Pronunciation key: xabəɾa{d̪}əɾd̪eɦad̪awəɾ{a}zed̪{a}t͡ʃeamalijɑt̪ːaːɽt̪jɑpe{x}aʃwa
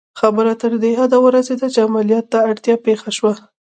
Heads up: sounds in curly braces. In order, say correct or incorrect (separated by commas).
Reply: incorrect, correct, correct, correct